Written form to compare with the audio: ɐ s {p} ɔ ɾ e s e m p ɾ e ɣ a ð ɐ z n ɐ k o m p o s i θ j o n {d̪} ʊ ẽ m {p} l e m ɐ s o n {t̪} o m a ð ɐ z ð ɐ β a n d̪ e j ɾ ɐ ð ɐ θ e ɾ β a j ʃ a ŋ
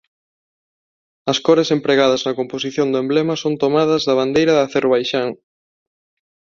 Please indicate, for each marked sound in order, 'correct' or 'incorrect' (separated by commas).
incorrect, correct, incorrect, correct